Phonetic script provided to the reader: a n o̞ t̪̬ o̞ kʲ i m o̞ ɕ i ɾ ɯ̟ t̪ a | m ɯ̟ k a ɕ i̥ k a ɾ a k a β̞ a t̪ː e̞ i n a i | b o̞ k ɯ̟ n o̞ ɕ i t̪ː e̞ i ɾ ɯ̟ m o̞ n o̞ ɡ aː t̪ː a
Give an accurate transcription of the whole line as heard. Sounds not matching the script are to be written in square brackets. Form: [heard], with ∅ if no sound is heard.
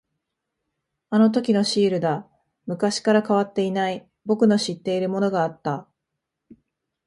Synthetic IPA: a n o̞ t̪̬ o̞ kʲ i [n] o̞ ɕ [iː] ɾ ɯ̟ [d̪] a | m ɯ̟ k a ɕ i̥ k a ɾ a k a β̞ a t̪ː e̞ i n a i | b o̞ k ɯ̟ n o̞ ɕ i t̪ː e̞ i ɾ ɯ̟ m o̞ n o̞ ɡ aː t̪ː a